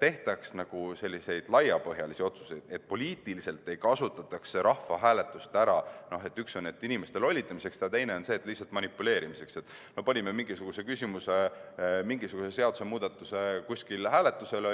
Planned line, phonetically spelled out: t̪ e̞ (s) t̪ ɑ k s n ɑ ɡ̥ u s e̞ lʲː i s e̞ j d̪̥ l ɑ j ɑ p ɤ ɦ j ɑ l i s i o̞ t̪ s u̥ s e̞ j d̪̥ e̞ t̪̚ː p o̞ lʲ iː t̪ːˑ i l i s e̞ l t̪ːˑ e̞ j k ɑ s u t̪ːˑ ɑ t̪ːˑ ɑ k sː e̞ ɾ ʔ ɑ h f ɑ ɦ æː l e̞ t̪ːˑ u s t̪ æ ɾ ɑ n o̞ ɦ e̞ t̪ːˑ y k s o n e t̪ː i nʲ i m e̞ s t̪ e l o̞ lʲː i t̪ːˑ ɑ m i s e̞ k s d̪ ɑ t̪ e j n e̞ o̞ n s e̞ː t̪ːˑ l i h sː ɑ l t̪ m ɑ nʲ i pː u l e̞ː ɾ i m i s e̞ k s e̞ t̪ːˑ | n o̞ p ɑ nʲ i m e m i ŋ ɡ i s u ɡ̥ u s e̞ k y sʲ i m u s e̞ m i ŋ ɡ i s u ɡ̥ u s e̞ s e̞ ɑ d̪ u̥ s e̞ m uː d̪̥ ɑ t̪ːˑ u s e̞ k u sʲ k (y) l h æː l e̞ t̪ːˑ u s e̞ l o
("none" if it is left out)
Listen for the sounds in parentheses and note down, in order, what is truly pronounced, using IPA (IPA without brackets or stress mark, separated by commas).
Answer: h, i